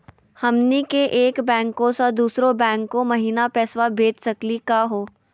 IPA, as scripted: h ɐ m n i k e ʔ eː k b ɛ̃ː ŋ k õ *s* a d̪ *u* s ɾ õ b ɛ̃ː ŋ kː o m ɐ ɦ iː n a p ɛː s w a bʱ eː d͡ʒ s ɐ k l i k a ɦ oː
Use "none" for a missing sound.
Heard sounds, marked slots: s, uː

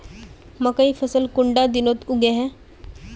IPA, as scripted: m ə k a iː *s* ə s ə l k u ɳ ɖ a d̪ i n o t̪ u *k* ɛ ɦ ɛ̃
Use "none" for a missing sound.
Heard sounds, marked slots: f, ɡ

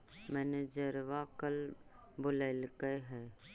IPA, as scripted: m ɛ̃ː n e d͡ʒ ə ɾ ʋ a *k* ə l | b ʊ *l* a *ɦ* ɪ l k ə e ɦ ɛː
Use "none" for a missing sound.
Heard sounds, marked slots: k, l, none

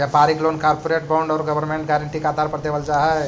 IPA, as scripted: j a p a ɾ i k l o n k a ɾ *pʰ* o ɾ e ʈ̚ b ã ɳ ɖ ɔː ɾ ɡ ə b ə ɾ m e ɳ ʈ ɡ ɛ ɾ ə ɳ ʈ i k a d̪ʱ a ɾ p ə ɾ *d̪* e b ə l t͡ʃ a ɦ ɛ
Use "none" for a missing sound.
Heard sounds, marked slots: p, d̪

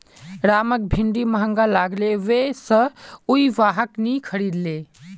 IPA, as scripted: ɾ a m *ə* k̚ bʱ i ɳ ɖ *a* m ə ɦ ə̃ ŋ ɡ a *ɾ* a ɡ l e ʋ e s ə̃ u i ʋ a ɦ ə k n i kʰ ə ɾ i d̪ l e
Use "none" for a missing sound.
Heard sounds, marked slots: ə, i, l

